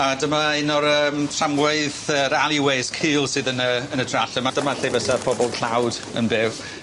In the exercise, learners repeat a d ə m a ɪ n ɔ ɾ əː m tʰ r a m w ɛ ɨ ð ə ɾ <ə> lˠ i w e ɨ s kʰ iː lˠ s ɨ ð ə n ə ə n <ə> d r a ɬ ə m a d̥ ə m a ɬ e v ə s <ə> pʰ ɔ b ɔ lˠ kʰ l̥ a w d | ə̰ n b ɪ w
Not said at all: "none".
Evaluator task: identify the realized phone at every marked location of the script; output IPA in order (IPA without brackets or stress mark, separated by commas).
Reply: a, ə, a